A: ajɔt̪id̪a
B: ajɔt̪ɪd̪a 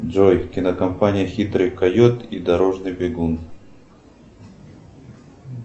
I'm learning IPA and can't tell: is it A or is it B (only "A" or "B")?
A